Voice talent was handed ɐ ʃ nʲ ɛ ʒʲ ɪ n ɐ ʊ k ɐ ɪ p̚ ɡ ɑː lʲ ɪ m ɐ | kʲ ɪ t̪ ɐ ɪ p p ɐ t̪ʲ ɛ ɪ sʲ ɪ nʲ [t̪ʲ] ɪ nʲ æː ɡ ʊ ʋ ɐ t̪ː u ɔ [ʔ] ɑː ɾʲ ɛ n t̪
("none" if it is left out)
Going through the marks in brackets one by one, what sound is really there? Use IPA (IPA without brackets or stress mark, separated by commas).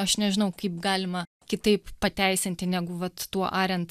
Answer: t̪ʲ, ʔ